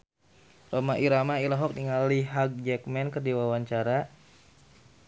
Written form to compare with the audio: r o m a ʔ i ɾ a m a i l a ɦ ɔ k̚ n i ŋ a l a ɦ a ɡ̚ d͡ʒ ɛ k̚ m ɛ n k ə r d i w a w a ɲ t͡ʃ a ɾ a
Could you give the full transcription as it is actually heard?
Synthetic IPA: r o m a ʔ i ɾ a m a i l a ɦ ɔ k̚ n i ŋ a l i ɦ a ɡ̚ d͡ʒ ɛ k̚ m ɛ n k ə r d i w a w a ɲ t͡ʃ a ɾ a